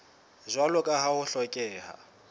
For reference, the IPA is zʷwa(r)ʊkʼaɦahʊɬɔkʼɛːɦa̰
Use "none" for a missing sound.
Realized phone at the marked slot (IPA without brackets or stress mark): l